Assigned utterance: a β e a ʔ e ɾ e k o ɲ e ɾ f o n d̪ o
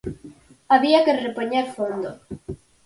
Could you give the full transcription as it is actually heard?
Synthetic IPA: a β i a k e r e p o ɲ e ɾ f o n d̪ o